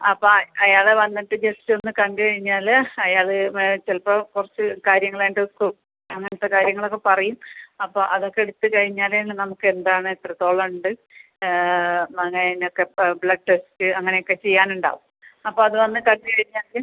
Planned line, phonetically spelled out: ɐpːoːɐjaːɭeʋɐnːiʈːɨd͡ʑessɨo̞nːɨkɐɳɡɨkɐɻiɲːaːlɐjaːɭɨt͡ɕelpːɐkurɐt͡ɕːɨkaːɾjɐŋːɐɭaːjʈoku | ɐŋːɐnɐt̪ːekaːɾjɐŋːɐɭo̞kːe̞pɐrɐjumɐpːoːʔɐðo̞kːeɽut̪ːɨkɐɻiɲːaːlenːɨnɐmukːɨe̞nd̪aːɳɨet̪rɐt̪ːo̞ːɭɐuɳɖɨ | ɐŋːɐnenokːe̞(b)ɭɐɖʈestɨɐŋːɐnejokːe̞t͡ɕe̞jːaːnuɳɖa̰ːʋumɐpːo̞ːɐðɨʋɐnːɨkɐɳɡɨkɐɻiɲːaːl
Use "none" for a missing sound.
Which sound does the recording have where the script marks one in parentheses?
b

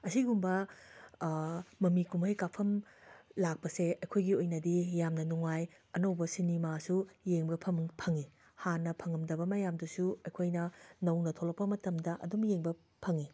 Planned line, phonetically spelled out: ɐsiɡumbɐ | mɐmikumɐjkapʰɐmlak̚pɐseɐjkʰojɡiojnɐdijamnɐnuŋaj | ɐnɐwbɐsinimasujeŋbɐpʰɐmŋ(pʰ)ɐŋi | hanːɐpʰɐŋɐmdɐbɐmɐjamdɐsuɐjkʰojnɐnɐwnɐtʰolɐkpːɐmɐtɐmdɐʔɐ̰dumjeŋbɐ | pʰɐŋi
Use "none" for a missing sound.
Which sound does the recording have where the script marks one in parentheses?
pʰ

